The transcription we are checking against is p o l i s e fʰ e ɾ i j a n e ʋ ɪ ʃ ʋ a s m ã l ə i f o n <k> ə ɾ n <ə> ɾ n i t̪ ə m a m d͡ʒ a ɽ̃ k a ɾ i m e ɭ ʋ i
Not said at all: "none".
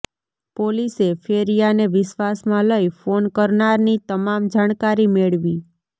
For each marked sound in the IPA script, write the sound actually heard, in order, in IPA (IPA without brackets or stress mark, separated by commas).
k, a